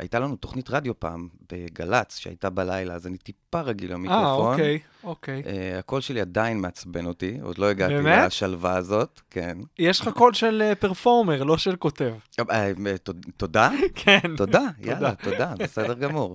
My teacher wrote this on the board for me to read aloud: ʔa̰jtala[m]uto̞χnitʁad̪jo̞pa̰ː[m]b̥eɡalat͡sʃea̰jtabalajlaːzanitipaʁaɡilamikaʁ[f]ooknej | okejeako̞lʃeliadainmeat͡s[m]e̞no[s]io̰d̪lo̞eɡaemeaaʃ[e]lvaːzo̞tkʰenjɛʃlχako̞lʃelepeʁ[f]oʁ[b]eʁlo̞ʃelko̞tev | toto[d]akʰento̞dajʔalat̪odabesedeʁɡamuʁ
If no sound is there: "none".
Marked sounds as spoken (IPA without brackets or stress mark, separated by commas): n, m, f, b, t, a, f, m, d